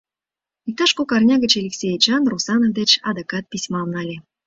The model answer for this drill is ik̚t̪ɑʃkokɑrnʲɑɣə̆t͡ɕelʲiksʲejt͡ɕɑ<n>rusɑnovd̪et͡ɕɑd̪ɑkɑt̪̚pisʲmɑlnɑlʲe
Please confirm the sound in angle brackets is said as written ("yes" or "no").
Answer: yes